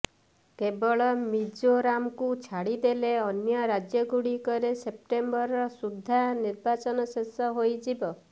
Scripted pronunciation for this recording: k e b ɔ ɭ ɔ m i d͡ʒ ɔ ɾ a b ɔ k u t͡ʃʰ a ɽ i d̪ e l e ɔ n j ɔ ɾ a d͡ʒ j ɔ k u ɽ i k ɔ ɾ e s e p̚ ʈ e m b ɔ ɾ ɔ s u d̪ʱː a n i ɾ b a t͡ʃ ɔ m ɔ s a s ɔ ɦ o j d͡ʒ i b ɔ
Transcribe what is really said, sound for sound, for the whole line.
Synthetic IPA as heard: k e b ɔ ɭ ɔ m i d͡ʒ o ɾ a m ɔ k u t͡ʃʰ a ɽ i d̪ e l e ɔ n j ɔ ɾ a d͡ʒ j ɔ ɡ u ɽ i k ɔ ɾ e s e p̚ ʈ e m b ɔ ɾ ɔ s u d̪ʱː a n i ɾ b a t͡ʃ ɔ n ɔ s e s ɔ ɦ o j d͡ʒ i b ɔ